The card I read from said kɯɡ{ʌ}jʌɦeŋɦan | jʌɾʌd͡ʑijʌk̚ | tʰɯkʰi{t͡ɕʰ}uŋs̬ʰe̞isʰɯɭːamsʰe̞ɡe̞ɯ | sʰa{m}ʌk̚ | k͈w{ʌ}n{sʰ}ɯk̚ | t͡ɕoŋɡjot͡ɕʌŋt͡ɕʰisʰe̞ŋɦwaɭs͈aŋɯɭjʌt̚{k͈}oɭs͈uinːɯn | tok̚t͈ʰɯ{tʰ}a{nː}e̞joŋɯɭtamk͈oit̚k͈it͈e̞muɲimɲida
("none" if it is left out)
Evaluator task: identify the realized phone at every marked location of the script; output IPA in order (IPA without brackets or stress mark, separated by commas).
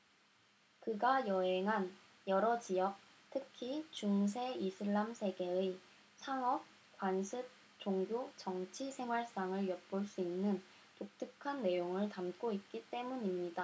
a, t͡ɕ, ŋ, a, sʰ, p͈, kʰ, nː